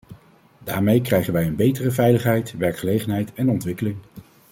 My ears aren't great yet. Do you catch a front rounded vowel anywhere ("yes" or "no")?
no